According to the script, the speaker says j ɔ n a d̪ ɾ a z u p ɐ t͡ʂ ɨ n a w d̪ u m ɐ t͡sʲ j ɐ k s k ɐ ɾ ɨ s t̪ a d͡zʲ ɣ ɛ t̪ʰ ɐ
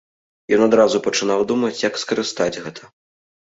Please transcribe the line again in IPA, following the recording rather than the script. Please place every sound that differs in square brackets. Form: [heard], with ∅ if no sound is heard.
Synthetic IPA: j ɔ n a d̪ ɾ a z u p ɐ t͡ʂ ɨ n a w d̪ u m ɐ t͡sʲ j ɐ k s k ɐ ɾ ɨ s t̪ a d͡zʲ ɣ ɛ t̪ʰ ɐ